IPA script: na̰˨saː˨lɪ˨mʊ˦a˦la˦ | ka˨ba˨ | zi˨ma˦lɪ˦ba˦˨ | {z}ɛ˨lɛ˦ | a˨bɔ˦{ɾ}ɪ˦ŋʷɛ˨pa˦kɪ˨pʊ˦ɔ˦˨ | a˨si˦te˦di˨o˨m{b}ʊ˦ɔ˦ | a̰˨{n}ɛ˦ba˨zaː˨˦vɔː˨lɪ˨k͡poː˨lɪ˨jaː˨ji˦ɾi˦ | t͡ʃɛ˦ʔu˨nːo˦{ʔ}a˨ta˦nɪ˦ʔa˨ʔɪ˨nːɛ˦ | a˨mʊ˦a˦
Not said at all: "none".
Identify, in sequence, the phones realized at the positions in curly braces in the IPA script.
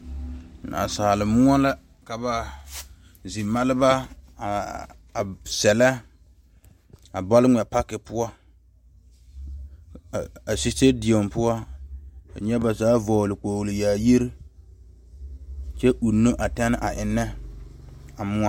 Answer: s, l, p, ɲ, ʔ

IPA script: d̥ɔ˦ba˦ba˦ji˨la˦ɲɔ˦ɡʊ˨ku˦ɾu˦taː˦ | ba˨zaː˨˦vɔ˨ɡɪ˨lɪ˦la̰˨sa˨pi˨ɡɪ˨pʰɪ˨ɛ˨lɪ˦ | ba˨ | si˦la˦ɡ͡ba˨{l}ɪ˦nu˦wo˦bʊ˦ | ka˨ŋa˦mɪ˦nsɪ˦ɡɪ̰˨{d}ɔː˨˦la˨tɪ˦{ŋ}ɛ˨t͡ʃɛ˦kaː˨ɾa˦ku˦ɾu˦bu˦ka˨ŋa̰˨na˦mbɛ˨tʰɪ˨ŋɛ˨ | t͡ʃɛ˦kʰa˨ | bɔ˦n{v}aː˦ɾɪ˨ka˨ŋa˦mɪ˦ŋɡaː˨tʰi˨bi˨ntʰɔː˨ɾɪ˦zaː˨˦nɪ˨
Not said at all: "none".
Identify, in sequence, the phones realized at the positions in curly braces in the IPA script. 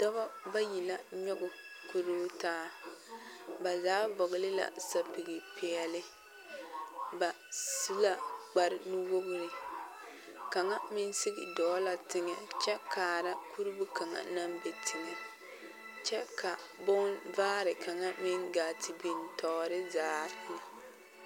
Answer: ɾ, d, ŋ, v

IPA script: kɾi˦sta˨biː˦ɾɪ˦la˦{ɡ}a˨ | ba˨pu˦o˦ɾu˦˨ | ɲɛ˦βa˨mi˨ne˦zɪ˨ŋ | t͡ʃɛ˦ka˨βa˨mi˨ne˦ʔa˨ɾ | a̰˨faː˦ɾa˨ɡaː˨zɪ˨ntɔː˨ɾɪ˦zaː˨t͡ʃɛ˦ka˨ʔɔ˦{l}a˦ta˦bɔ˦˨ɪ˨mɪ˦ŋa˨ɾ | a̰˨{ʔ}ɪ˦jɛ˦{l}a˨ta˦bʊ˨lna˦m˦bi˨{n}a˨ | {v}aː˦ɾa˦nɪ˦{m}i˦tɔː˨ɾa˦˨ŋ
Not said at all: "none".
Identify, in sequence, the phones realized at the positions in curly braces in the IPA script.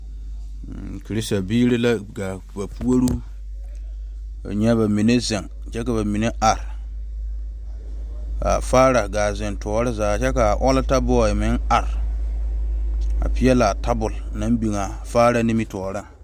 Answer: ɡ, l, p, l, ŋ, f, m

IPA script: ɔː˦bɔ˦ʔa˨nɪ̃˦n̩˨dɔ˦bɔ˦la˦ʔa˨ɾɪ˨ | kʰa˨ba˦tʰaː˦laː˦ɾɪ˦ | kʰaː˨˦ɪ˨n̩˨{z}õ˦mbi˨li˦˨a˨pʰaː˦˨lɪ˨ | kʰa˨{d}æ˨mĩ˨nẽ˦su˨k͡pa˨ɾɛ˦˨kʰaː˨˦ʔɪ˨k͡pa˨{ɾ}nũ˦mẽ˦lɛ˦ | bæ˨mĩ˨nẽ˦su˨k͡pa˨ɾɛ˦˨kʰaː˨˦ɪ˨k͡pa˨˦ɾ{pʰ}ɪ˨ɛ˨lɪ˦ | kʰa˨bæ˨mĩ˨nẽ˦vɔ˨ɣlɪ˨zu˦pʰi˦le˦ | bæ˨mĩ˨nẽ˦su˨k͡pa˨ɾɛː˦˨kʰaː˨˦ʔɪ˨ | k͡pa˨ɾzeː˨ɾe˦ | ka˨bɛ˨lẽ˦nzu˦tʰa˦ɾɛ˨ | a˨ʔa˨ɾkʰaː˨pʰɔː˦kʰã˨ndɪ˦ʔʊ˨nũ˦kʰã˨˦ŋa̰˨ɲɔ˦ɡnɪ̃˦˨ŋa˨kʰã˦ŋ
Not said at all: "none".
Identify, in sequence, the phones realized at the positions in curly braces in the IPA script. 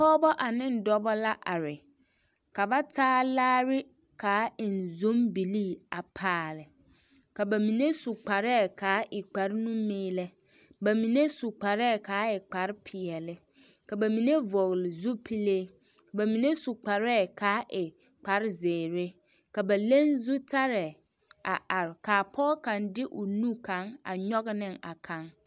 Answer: z, b, ɾ, pʰ

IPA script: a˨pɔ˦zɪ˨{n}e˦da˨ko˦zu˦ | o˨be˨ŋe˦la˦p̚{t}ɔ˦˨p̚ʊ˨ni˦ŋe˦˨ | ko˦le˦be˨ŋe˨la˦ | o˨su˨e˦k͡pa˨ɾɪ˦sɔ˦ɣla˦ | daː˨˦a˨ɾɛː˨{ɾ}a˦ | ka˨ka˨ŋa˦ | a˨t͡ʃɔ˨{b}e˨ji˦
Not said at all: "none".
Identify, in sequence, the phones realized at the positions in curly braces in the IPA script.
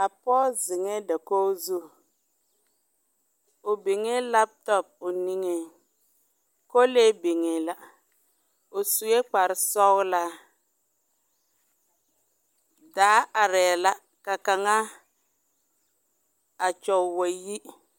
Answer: ŋ, t, l, w

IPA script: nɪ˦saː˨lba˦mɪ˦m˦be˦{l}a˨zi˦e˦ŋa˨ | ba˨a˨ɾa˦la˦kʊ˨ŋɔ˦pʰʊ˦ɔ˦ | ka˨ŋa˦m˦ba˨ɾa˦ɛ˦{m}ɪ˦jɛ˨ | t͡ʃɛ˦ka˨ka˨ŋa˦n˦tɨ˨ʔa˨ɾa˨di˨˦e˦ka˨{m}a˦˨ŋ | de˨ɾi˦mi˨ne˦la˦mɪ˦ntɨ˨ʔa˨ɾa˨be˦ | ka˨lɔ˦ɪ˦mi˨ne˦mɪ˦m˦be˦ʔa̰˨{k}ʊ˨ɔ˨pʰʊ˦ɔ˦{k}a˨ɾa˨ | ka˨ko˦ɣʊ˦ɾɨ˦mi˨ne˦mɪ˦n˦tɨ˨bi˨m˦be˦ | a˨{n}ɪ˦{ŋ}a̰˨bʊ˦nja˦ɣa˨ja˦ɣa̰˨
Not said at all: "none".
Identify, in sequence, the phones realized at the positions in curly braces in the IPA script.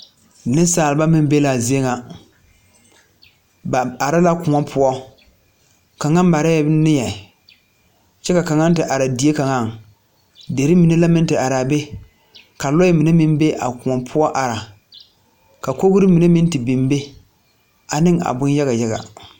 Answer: l, n, ŋ, k, ʔ, n, ŋ

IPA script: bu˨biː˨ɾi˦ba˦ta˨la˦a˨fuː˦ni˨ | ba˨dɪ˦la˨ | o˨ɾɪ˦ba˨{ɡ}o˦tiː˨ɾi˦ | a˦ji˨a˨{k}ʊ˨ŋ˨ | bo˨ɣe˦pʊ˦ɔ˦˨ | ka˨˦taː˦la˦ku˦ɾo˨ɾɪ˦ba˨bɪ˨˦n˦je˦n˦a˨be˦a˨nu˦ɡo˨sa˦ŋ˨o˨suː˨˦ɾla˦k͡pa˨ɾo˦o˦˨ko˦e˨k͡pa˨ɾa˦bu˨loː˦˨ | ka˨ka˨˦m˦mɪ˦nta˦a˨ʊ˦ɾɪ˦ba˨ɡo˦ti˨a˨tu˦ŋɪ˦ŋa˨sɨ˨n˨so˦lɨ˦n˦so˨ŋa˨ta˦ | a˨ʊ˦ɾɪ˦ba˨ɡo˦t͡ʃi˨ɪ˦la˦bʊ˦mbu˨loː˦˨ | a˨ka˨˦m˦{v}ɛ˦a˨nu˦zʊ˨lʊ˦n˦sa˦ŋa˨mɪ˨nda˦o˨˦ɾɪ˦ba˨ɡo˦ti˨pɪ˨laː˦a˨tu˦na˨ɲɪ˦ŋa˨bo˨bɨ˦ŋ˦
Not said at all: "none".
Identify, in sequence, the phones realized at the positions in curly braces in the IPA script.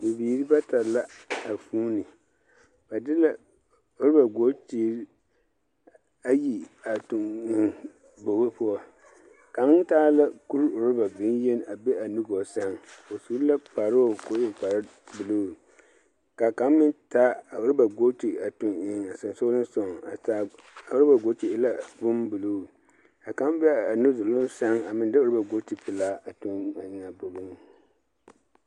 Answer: ɡ, t, b

